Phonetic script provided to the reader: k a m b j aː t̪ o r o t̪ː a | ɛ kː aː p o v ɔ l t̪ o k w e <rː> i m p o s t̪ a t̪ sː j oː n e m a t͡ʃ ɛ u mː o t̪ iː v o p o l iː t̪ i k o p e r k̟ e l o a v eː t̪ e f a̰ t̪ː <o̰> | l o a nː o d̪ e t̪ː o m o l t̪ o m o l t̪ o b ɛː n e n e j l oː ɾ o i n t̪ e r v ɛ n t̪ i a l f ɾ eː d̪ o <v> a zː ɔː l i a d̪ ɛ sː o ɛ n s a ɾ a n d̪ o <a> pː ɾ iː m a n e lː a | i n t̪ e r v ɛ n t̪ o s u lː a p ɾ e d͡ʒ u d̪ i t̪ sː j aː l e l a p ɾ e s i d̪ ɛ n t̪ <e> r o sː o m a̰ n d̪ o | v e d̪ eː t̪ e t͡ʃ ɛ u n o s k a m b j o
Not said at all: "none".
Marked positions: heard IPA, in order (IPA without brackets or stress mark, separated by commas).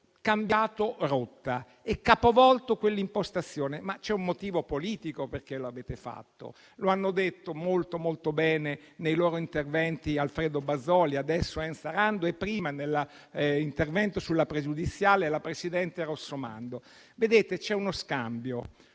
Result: lː, o̰, b, e, e